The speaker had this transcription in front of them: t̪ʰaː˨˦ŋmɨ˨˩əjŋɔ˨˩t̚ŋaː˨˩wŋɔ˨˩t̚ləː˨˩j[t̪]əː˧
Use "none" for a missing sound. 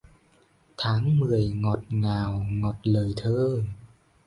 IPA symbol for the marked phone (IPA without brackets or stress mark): t̪ʰ